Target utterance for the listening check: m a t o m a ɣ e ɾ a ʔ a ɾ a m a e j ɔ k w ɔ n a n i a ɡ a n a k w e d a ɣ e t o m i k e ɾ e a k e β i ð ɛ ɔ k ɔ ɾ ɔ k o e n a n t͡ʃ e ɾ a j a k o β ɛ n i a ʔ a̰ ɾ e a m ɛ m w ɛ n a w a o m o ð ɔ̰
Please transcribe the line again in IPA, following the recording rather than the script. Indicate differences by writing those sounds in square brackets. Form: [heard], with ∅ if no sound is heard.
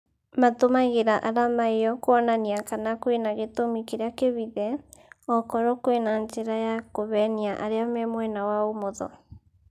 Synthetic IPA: m a t o m a ɣ e ɾ a ʔ a ɾ a m a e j ɔ k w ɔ n a n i a [k] a n a k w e [n] a ɣ e t o m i k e ɾ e a k e β i ð ɛ ɔ k ɔ ɾ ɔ k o e n a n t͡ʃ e ɾ a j a k o β ɛ n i a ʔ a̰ ɾ e a m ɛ m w ɛ n a w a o m o ð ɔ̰